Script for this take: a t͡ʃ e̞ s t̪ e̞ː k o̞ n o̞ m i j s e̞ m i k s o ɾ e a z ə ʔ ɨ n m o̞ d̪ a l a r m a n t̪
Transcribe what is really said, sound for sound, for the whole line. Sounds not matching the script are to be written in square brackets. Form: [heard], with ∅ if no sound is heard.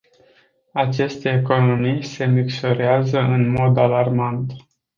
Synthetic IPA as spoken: a t͡ʃ e̞ s t̪ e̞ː k o̞ n o̞ m i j s e̞ m i k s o ɾ e a z ə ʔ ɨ n m o̞ d̪ a l a r m a n t̪